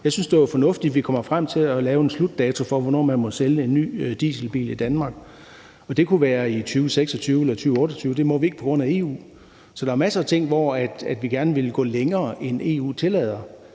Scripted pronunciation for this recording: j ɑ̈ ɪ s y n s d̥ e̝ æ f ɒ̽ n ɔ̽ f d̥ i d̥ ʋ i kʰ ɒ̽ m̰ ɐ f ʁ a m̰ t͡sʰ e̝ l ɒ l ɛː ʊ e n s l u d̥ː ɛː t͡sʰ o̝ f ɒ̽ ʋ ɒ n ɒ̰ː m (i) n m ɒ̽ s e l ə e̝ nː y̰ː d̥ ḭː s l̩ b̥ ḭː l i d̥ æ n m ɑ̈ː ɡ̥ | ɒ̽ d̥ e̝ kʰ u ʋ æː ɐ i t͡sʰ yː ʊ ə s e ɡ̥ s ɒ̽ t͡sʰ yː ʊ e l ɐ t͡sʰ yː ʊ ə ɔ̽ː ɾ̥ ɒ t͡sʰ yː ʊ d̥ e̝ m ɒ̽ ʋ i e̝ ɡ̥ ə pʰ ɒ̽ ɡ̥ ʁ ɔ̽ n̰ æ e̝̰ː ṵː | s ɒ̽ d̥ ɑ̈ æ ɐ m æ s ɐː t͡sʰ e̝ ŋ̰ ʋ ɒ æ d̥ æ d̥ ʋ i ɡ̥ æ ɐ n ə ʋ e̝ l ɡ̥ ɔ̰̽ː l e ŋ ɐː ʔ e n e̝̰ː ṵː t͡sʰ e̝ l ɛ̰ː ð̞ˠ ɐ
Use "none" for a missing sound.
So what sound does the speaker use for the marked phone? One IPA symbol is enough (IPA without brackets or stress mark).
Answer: æ